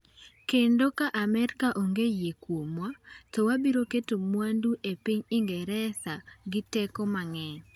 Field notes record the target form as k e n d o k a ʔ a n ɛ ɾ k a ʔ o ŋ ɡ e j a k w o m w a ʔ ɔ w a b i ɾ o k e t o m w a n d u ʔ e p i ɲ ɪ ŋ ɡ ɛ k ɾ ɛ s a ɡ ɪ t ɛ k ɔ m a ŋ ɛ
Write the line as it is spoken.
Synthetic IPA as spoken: k e n d o k a ʔ a m ɛ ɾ k a ʔ o ŋ ɡ e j e k w o m w a t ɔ w a b i ɾ o k e t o m w a n d u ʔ e p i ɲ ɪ ŋ ɡ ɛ ɾ ɛ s a ɡ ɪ t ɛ k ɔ m a ŋ ɛ